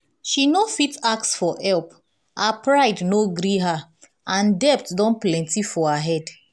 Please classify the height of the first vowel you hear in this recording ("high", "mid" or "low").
high